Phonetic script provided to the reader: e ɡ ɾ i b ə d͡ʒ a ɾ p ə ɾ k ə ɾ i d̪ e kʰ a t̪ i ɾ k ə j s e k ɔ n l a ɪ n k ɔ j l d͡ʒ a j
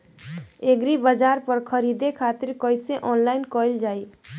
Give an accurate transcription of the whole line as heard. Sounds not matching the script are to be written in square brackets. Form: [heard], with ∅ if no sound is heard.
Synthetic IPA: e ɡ ɾ i b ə d͡ʒ a ɾ p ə ɾ [kʰ] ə ɾ i d̪ e kʰ a t̪ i ɾ k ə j s e [ʔ] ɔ n l a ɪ n k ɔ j l d͡ʒ a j